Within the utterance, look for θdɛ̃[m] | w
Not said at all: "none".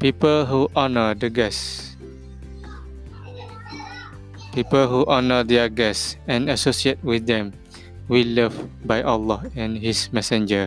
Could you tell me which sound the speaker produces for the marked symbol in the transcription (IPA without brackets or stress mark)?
m